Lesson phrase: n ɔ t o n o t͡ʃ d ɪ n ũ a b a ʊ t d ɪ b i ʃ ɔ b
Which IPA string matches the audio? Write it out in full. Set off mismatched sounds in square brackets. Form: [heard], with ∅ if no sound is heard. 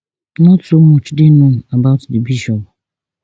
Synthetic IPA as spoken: n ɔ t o [m] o t͡ʃ d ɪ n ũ a b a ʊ t d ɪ b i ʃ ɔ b

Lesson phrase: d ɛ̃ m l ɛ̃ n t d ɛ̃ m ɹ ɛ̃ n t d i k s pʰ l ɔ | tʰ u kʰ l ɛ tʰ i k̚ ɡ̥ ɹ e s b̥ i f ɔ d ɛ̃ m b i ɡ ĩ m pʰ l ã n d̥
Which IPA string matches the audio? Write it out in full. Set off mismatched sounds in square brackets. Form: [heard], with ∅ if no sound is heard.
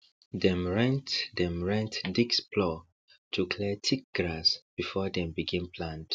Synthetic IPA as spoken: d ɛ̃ m [ɹ] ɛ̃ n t d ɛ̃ m ɹ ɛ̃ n t d i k s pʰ l ɔ | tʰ u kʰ l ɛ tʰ i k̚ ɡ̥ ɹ [a] s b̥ i f ɔ d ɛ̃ m b i ɡ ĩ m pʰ l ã n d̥

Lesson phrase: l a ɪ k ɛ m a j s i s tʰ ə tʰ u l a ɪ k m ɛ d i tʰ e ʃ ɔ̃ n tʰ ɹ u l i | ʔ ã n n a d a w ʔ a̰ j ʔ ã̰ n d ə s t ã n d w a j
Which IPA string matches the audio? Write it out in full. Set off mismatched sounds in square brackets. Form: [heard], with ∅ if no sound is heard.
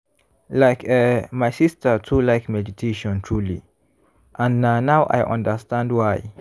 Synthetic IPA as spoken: l a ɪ k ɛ m a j s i s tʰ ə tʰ u l a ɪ k m ɛ d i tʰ e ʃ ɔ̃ n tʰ ɹ u l i | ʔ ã n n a [n] a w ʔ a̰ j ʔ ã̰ n d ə s t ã n d w a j

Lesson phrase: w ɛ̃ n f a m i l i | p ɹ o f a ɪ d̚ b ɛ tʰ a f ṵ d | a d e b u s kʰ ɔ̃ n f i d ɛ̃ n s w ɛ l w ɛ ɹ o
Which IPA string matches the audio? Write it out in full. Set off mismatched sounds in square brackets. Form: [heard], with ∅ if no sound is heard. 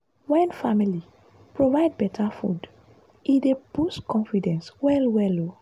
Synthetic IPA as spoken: w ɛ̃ n f a m i l i | p ɹ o [v] a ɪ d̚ b ɛ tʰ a f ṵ d | [i] d e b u s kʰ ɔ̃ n f i d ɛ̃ n s w ɛ l w ɛ [l] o

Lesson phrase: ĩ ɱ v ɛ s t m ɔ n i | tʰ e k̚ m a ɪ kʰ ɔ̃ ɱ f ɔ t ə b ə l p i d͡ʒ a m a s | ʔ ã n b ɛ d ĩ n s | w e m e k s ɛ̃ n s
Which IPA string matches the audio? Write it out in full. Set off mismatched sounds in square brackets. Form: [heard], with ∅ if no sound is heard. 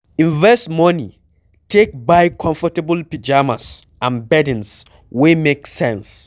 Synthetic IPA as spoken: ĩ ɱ v ɛ s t m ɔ n i | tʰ e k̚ [b] a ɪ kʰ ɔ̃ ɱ f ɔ t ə b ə l p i d͡ʒ a m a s | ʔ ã n b ɛ d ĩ n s | w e m e k s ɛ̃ n s

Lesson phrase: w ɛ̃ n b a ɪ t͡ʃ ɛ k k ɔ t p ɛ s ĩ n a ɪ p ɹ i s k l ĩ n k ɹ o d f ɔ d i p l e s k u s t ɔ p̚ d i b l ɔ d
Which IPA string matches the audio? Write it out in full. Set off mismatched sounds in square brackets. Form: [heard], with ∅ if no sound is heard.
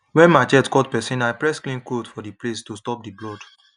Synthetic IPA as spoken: w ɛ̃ n [m] a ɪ t͡ʃ ɛ [t] k ɔ t p ɛ s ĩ n a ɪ p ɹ [ɛ] s k l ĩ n k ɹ o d f ɔ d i p l e s [t] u s t ɔ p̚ d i b l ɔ d

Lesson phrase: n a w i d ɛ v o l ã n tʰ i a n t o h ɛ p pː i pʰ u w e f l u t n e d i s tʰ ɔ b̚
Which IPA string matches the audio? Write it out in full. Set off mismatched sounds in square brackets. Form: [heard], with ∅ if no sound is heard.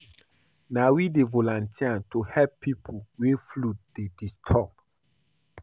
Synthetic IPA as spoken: n a w i d [e] v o l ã n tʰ i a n t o h ɛ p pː i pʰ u w e f l u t [d] e d i s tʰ ɔ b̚

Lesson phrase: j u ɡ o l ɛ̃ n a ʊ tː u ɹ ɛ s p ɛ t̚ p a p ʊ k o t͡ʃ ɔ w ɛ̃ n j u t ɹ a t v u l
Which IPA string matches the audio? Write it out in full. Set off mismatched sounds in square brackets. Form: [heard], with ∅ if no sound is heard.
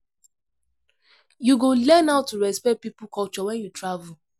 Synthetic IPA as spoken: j u ɡ o l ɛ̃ n a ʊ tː u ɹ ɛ s p ɛ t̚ p [i] p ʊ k [ɔ] t͡ʃ ɔ w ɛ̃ n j u t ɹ a [∅] v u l

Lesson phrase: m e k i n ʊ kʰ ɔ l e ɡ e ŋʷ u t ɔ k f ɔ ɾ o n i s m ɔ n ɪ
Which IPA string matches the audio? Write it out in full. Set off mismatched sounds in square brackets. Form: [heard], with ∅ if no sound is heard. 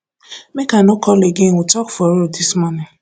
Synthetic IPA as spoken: m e k [a] n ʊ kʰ ɔ l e ɡ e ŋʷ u t ɔ k f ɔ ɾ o [d] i s m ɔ n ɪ

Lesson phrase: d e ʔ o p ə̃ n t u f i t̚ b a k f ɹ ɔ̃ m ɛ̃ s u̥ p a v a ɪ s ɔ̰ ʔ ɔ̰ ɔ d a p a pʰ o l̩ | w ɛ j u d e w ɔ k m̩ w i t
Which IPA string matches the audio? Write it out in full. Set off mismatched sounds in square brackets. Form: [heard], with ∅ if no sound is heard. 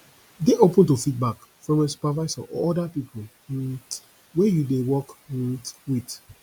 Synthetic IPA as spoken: d e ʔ o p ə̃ n t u f i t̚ b a k f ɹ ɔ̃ m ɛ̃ s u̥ p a v a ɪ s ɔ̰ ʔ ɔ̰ ɔ d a p [i] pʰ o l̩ | w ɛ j u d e w ɔ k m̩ w i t

